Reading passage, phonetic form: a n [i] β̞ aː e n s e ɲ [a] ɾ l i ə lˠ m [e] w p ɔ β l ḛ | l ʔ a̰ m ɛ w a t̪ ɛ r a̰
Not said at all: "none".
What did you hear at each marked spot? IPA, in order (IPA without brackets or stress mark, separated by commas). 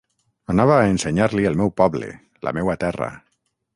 a, a, ɛ